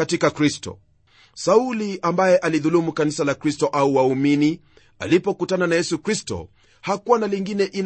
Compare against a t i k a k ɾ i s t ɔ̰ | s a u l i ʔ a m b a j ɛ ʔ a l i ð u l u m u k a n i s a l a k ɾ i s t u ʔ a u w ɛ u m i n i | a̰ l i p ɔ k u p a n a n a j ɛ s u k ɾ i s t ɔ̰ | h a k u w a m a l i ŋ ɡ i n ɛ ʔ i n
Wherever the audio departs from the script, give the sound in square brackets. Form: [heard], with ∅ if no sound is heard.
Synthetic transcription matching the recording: a t i k a k ɾ i s t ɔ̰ | s a u l i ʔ a m b a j ɛ ʔ a l i ð u l u m u k a n i s a l a k ɾ i s t [ɔ] ʔ a u w [a] u m i n i | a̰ l i p ɔ k u [t] a n a n a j ɛ s u k ɾ i s t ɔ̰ | h a k u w a [n] a l i ŋ ɡ i n ɛ ʔ i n